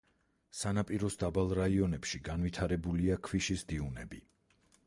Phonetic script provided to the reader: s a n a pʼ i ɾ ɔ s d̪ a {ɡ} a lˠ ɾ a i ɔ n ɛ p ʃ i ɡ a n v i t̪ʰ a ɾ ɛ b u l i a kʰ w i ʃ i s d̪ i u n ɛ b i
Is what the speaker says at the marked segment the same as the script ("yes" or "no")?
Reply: no